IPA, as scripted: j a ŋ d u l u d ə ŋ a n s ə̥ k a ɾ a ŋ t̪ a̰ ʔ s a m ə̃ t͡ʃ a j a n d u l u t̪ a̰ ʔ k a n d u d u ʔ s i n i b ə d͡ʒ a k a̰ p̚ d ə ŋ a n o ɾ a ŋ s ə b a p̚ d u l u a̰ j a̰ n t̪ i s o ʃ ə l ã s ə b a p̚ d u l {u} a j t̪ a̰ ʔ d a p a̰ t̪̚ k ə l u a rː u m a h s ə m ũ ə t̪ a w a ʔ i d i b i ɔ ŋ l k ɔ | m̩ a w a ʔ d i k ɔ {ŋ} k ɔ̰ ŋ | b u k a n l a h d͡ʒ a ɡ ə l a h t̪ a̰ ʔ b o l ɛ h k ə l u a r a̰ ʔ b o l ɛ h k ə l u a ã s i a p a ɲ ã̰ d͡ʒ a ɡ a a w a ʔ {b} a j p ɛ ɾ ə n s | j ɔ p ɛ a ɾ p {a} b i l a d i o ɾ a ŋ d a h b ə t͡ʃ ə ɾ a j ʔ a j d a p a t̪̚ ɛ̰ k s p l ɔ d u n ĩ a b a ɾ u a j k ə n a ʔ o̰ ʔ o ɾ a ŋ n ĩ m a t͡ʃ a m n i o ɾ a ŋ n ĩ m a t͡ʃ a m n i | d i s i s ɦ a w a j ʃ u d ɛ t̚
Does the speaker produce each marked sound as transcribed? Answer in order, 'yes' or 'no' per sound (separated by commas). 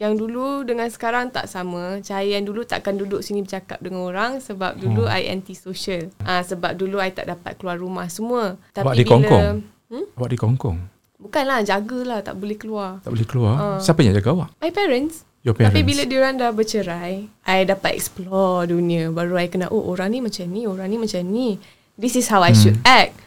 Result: yes, yes, no, no